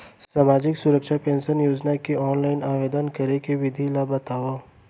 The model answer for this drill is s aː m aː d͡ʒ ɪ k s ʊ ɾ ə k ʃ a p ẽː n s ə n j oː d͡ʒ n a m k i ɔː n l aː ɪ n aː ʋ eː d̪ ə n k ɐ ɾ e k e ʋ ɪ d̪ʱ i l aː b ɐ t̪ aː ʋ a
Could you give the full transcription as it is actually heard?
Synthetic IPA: s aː m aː d͡ʒ ɪ k s ʊ ɾ ə k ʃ a p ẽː n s ə n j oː d͡ʒ n a k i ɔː n l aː ɪ n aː ʋ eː d̪ ə n k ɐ ɾ e k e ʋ ɪ d̪ʱ i l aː b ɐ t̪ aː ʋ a